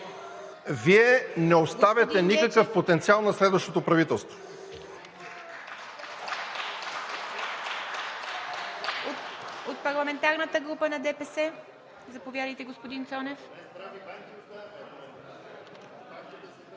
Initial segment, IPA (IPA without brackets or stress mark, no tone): v